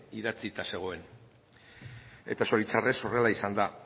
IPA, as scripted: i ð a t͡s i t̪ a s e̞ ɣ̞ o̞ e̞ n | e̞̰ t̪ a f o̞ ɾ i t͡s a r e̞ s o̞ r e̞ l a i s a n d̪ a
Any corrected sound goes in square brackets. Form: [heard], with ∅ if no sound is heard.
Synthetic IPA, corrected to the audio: i ð a t͡s i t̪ a s e̞ ɣ̞ o̞ e̞ n | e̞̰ t̪ a [s] o̞ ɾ i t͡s a r e̞ s o̞ r e̞ l a i s a n d̪ a